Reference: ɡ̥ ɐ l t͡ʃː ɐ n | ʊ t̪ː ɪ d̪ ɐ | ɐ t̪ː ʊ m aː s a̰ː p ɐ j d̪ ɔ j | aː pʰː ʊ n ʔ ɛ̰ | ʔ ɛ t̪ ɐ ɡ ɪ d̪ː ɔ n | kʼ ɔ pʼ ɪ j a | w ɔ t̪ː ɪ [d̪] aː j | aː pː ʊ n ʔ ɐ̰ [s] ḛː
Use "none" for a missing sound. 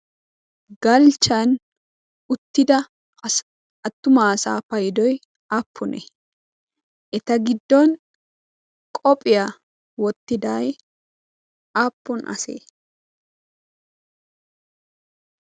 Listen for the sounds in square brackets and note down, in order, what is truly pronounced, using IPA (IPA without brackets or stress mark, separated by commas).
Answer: d̪, s